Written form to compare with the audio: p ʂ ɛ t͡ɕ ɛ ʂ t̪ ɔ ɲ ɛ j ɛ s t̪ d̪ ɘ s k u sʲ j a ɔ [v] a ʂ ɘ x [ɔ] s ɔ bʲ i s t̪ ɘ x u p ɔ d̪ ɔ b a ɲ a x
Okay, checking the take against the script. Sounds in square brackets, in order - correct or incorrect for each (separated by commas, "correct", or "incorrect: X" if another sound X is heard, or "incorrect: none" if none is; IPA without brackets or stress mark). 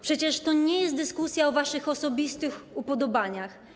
correct, correct